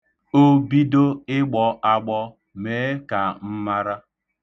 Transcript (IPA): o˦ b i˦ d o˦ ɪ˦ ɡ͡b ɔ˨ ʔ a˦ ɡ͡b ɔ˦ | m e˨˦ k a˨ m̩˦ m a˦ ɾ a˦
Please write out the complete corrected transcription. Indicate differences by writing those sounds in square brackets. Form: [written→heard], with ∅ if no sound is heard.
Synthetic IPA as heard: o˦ b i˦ d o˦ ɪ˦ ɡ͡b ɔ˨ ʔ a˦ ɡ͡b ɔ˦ | m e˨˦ k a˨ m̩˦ m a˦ ɾ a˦